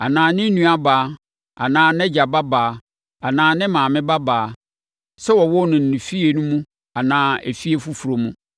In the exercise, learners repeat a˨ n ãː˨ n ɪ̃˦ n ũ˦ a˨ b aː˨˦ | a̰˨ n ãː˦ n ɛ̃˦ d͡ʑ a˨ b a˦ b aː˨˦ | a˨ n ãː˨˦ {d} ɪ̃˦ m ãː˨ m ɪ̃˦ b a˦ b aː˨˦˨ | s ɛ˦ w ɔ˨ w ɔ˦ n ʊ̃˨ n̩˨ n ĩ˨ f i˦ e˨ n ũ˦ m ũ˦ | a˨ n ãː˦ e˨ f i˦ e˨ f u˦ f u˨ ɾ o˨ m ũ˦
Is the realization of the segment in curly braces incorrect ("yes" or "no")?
yes